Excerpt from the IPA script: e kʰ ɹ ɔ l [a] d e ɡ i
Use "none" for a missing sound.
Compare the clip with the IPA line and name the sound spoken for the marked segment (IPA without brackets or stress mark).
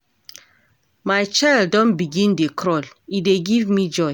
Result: i